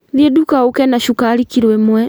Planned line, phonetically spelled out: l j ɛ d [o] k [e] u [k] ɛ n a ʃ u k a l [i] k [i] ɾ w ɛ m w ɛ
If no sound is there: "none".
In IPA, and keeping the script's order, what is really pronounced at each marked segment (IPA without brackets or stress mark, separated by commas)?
u, a, k, i, i